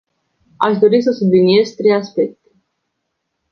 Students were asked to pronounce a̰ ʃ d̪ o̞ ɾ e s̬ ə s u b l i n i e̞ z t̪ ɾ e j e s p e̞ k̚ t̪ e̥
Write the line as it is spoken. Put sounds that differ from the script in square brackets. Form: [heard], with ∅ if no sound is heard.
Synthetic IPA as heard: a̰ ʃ d̪ o̞ ɾ [i] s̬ ə s u b l i n i e̞ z t̪ ɾ e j [a] s p e̞ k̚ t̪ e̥